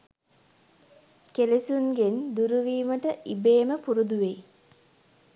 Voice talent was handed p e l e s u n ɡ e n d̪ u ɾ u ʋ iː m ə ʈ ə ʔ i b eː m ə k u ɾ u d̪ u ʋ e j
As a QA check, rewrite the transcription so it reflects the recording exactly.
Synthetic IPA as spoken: k e l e s u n ɡ e n d̪ u ɾ u ʋ iː m ə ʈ ə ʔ i b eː m ə p u ɾ u d̪ u ʋ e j